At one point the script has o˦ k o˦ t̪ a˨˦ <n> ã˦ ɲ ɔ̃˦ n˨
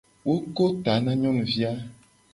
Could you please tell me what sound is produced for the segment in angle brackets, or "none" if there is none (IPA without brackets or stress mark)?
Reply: n